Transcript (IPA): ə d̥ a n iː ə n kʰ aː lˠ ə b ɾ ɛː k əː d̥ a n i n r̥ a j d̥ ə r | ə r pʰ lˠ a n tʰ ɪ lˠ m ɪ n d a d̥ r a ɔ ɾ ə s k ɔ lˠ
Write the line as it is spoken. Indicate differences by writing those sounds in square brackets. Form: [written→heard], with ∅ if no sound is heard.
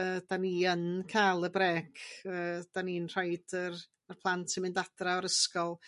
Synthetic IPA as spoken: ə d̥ a n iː ə n kʰ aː lˠ ə b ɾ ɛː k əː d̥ a n i n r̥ a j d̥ ə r | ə r pʰ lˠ a n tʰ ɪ [lˠ→∅] m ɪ n d a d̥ r a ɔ ɾ ə s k ɔ lˠ